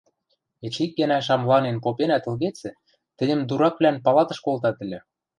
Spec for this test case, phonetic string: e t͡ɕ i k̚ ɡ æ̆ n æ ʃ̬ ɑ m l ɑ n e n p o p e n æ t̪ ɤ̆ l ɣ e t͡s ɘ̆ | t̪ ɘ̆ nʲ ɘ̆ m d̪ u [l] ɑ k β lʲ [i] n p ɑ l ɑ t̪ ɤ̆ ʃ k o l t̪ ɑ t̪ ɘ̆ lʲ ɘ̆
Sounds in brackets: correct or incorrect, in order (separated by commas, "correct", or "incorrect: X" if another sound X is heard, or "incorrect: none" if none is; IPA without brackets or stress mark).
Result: incorrect: ɾ, incorrect: æ